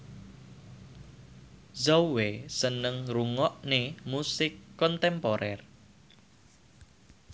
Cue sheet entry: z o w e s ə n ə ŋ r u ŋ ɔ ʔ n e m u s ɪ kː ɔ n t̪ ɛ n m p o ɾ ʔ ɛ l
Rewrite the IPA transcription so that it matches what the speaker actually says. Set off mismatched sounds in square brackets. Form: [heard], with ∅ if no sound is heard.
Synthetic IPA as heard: z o w e s ə n ə ŋ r u ŋ ɔ ʔ n e m u s ɪ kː ɔ n t̪ ɛ [∅] m p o ɾ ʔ ɛ [r]